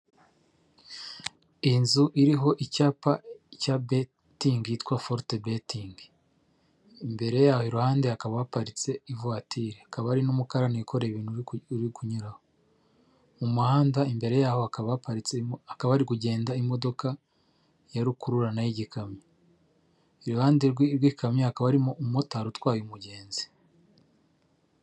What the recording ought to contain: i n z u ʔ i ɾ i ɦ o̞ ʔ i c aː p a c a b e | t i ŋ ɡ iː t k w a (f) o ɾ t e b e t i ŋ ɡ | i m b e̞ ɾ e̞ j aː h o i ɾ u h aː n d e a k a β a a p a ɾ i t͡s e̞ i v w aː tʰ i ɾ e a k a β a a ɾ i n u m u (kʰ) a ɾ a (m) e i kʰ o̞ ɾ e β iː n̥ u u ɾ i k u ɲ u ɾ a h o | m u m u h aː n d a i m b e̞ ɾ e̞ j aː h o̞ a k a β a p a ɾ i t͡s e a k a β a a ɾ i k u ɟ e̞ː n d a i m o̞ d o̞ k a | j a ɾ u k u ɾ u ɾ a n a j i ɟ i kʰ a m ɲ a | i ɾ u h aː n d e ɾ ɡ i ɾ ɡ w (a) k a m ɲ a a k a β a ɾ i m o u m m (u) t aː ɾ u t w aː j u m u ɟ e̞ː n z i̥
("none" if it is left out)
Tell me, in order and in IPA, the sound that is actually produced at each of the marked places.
f, k, n, i, o

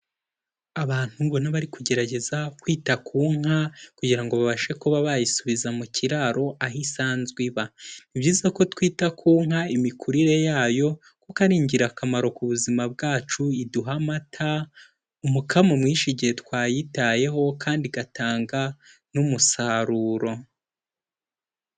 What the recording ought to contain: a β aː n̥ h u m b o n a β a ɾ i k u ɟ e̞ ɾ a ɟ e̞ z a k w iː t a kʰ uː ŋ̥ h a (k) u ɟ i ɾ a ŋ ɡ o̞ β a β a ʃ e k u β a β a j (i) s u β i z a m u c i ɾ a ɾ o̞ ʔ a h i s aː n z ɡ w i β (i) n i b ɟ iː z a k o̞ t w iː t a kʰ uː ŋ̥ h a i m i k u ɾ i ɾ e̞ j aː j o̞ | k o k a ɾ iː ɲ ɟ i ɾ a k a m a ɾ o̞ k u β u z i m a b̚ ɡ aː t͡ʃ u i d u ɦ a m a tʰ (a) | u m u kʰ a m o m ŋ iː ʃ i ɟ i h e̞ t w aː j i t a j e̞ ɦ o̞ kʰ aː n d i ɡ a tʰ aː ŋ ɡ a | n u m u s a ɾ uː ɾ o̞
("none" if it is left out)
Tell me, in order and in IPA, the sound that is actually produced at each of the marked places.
k, i, a, a

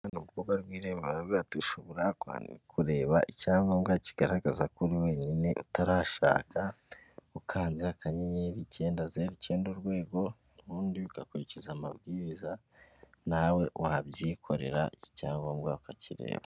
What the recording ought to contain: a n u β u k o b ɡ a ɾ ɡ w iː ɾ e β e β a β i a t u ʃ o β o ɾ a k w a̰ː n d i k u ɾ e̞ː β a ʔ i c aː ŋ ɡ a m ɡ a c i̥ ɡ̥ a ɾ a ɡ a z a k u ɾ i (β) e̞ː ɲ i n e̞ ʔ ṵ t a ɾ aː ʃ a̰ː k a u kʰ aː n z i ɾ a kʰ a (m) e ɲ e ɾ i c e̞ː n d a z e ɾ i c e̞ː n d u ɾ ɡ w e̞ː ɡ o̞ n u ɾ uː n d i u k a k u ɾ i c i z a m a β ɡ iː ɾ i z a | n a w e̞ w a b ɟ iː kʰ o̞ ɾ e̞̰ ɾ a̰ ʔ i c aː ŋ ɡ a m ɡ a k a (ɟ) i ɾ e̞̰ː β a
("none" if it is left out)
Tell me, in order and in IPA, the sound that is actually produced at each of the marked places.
w, ɲ, c

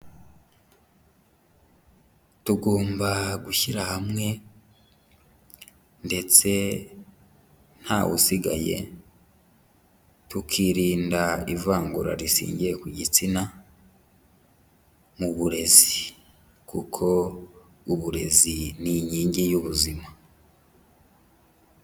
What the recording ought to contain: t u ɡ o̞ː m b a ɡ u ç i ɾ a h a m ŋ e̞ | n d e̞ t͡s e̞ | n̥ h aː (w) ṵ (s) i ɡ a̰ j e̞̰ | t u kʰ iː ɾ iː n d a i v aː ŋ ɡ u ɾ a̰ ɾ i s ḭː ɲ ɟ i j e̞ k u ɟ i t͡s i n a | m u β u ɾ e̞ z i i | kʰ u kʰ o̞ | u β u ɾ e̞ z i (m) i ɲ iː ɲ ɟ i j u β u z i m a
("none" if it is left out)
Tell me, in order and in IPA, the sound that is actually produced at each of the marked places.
w, s, n

